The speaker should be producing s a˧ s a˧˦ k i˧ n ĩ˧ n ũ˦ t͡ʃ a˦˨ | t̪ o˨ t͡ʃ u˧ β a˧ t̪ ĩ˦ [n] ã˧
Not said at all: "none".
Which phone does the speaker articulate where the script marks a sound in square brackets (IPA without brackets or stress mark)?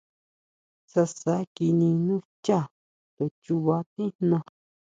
n